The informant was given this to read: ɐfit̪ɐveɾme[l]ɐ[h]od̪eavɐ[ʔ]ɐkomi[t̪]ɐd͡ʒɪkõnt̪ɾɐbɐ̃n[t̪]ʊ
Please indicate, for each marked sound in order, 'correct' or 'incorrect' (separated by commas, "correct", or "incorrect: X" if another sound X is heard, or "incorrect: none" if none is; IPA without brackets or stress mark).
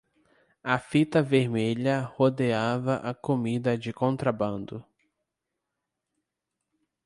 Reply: incorrect: ʎ, correct, correct, incorrect: d̪, incorrect: d̪